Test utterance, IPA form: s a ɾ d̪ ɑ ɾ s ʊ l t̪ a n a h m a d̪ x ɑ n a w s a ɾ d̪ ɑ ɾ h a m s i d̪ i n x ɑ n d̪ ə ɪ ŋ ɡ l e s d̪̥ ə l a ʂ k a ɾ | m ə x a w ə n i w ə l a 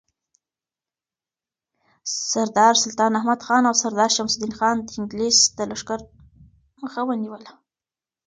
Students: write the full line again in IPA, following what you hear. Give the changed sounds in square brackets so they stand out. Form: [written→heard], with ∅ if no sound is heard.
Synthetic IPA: s a ɾ d̪ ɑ ɾ s ʊ l t̪ [a→ɑ] n a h m a d̪ x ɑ n a w s a ɾ d̪ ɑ ɾ [h→ʃ] a m s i d̪ i n x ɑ n d̪ ə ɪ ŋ ɡ l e s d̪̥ ə l a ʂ k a ɾ | m ə x a w ə n i w ə l a